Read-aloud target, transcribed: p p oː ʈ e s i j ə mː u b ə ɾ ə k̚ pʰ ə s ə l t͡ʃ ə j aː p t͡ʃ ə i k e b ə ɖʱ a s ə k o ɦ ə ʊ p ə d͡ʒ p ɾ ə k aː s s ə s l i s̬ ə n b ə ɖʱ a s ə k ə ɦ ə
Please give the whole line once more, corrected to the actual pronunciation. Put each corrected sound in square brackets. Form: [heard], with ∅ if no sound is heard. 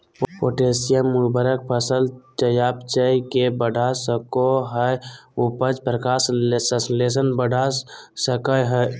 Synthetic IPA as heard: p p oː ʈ e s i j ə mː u b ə ɾ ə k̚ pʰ ə s ə l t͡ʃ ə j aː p t͡ʃ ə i k e b ə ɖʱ a s ə k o ɦ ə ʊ p ə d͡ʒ p ɾ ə k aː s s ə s l [e] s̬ ə n b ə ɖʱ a s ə k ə ɦ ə